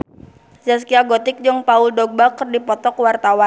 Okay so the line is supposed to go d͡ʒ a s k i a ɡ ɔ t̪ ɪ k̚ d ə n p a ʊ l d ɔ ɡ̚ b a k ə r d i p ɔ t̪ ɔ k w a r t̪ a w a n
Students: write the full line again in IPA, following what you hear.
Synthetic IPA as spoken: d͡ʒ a s k i a ɡ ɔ t̪ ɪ k̚ d͡ʒ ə ŋ p a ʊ l d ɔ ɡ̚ b a k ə r d i p ɔ t̪ ɔ k w a r t̪ a w a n